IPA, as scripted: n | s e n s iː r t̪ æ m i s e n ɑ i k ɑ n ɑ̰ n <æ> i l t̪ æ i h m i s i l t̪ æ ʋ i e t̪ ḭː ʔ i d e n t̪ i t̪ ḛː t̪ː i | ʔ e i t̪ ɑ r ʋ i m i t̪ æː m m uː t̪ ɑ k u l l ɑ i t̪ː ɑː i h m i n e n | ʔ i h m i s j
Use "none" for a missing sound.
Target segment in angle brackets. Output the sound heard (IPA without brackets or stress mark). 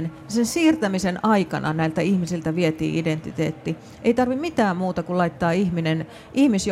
æ